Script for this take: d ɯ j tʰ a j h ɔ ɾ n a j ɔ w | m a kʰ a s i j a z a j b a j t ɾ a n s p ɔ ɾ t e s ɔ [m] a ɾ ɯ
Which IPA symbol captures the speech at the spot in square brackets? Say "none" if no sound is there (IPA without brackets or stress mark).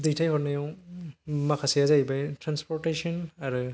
n